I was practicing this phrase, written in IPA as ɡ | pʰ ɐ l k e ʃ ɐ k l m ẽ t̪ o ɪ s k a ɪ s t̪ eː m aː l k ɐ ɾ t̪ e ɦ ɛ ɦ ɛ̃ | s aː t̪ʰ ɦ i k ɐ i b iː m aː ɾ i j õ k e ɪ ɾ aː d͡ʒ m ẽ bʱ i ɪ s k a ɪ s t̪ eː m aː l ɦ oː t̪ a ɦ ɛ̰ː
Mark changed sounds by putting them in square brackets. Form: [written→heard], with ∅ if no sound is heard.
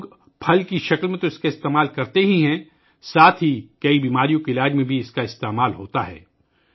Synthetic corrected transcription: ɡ | pʰ ɐ l k [e→i] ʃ ɐ k l m ẽ t̪ o ɪ s k a ɪ s t̪ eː m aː l k ɐ ɾ t̪ e ɦ [ɛ→i] ɦ ɛ̃ | s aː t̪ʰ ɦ i k ɐ i b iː m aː ɾ i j õ k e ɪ [ɾ→l] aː d͡ʒ m ẽ bʱ i ɪ s k a ɪ s t̪ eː m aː l ɦ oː t̪ a ɦ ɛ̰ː